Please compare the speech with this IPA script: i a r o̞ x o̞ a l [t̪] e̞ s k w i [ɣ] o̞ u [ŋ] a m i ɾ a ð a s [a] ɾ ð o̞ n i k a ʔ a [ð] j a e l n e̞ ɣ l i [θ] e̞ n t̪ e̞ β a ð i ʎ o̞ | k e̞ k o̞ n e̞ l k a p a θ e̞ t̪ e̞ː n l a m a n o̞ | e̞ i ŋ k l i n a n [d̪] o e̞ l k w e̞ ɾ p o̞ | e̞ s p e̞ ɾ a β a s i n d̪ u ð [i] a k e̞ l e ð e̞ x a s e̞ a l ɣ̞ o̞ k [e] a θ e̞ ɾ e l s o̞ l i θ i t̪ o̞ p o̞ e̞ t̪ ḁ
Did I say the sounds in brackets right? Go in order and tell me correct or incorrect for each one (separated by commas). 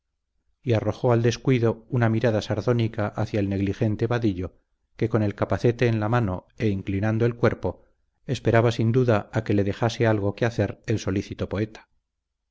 incorrect, incorrect, incorrect, correct, incorrect, incorrect, correct, incorrect, correct